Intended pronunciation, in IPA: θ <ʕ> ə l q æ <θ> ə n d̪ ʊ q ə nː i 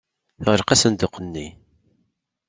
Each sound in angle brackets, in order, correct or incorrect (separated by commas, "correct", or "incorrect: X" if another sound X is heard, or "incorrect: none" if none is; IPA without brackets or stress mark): incorrect: ʁ, incorrect: s